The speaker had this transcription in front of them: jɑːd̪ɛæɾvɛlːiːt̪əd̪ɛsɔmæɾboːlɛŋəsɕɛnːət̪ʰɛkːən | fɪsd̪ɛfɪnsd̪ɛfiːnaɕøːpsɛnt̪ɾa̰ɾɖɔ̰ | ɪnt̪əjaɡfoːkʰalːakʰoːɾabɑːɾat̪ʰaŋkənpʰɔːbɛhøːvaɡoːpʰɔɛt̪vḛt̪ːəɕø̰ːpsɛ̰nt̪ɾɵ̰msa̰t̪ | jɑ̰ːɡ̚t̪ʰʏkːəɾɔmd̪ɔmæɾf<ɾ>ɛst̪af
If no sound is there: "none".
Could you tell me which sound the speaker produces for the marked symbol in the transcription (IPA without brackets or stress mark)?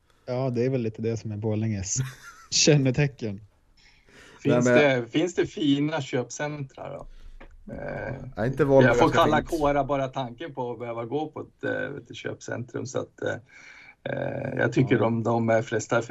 l